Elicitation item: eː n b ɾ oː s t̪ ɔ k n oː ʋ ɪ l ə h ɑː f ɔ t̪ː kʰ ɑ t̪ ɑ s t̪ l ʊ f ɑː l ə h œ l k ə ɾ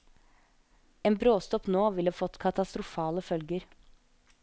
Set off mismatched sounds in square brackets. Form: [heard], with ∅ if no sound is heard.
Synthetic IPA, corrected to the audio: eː n b ɾ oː s t̪ ɔ [p] n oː ʋ ɪ l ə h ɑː f ɔ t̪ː kʰ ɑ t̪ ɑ s t̪ [ɾ] ʊ f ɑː l ə [f] œ l [ɡ] ə ɾ